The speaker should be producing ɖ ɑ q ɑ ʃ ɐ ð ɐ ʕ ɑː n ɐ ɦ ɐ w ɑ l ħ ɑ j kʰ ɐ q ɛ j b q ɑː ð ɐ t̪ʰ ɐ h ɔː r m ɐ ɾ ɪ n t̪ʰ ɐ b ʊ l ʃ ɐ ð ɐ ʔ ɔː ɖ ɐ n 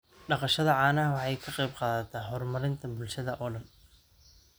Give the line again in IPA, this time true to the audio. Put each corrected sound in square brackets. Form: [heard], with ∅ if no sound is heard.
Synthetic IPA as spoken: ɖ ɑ q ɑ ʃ ɐ ð ɐ ʕ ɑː n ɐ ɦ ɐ w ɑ [∅] ħ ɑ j kʰ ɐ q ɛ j b q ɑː ð ɐ t̪ʰ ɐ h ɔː r m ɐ ɾ ɪ n t̪ʰ ɐ b ʊ l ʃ ɐ ð ɐ ʔ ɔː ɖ ɐ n